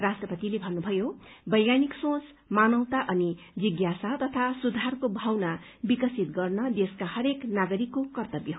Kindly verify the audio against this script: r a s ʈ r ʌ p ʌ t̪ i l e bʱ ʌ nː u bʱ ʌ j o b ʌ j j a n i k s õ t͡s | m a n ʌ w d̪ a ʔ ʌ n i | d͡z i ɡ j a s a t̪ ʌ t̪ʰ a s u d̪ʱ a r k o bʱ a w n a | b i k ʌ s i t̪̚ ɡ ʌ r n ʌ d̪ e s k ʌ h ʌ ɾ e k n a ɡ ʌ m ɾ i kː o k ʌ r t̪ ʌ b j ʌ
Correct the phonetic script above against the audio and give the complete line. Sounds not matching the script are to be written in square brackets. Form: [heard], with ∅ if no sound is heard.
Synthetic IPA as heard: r a s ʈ r ʌ p ʌ t̪ i l e bʱ ʌ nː u bʱ ʌ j o b ʌ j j a n i k s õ t͡s | m a n ʌ w [t̪] a ʔ ʌ n i | d͡z i ɡ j a s a t̪ ʌ t̪ʰ a s u d̪ʱ a r k o bʱ a w n a | b i k ʌ s i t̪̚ ɡ ʌ r n ʌ d̪ e s k [a] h ʌ ɾ e k n a ɡ ʌ [∅] ɾ i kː o k ʌ r t̪ ʌ b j ʌ